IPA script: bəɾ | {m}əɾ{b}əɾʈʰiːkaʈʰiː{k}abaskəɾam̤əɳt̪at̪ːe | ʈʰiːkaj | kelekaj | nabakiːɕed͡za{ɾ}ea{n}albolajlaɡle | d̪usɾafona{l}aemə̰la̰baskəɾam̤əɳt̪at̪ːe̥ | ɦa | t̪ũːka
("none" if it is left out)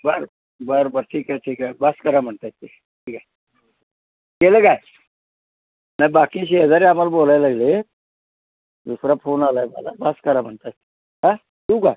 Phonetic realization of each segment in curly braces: b, b, k, ɾ, m, l

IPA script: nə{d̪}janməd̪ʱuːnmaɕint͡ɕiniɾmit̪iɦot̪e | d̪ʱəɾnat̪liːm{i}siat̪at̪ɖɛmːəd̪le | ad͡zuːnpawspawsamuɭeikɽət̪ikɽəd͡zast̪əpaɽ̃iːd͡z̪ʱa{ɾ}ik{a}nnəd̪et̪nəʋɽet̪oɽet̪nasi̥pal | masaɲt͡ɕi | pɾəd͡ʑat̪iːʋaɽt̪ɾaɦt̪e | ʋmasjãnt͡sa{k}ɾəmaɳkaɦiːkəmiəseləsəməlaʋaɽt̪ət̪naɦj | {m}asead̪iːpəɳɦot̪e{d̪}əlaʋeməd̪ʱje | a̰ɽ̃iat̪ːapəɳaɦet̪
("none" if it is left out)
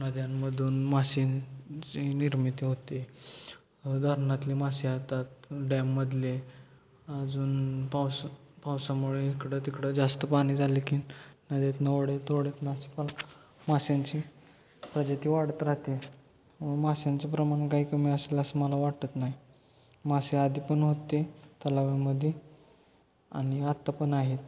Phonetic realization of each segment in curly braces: d̪, a, l, i, p, m, t̪

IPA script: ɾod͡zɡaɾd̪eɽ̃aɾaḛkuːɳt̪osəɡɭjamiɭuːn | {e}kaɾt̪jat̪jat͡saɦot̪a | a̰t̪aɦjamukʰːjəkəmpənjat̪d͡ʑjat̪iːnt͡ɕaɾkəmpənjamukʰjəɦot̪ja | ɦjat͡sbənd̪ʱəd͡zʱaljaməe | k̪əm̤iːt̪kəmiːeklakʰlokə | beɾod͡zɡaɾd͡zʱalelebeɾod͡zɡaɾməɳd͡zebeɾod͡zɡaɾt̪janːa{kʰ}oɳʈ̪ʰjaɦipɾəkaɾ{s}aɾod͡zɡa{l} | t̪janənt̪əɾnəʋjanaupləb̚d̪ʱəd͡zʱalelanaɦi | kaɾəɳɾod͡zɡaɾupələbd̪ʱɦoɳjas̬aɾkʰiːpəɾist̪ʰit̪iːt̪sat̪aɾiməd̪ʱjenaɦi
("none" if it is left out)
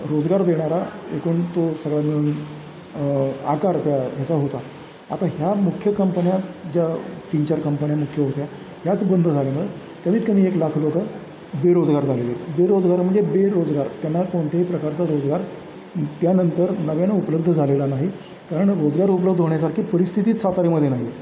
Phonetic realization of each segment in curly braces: a, k, t͡s, ɾ

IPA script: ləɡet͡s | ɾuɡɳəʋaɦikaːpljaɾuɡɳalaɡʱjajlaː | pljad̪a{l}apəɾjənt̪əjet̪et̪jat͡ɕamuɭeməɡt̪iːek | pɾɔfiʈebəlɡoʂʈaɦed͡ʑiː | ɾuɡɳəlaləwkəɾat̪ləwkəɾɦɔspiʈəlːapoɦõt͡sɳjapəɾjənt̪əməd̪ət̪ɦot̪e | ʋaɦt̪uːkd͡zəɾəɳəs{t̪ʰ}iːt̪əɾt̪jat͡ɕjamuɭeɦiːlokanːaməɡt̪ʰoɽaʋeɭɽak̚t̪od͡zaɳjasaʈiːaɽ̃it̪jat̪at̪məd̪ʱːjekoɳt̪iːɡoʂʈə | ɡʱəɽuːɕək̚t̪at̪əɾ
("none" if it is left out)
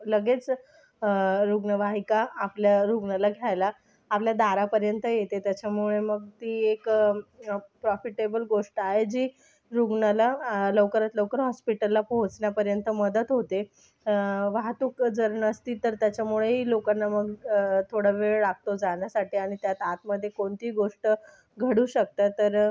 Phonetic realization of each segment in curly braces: ɾ, t̪

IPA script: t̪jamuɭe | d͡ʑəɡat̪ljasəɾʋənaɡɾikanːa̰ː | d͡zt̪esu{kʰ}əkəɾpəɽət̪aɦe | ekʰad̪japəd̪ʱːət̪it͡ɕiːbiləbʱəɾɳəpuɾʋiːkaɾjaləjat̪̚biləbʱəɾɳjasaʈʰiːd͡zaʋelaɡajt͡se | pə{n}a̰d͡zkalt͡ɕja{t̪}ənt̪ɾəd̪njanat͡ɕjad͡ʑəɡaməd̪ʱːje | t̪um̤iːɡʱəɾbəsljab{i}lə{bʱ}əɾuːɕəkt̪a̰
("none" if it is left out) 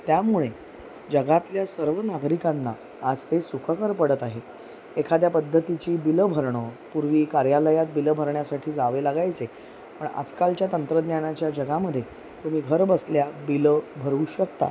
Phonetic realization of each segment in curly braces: kʰ, ɳ, t̪, i, bʱ

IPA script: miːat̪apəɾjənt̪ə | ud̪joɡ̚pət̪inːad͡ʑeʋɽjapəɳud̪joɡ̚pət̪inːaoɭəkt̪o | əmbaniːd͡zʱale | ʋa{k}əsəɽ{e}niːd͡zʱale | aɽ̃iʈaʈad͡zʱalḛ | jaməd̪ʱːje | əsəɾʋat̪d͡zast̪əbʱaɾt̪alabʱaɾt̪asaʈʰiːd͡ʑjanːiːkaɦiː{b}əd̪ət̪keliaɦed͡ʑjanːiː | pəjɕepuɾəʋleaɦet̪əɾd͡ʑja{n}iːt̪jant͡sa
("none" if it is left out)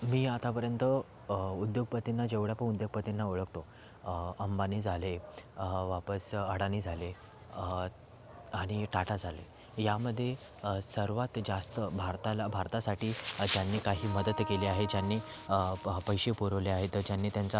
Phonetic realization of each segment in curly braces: p, a, m, nː

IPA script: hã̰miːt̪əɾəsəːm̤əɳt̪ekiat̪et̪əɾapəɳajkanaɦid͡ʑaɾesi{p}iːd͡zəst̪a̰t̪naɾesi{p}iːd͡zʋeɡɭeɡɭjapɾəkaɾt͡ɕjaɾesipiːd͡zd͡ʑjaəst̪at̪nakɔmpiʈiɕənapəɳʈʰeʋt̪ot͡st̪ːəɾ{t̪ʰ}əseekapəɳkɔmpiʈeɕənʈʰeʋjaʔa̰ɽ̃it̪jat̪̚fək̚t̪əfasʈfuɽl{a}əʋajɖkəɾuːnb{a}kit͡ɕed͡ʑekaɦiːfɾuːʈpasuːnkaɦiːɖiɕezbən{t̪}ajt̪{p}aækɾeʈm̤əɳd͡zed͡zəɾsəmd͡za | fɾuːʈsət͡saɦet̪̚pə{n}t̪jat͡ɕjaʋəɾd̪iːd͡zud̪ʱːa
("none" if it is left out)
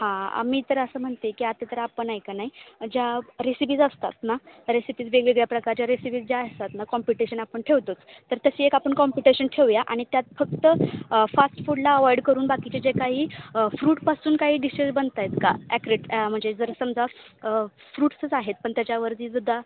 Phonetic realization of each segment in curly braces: p, p, t̪, a, a, t̪, k, ɳ

